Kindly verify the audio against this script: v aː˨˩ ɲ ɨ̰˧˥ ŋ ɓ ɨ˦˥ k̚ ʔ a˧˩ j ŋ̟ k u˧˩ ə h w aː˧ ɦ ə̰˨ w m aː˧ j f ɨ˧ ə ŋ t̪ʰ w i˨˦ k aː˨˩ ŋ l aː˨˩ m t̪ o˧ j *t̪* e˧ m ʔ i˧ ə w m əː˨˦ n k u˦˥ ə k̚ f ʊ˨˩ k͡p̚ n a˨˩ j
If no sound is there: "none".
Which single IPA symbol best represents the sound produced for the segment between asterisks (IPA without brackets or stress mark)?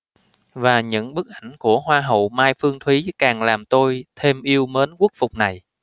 t̪ʰ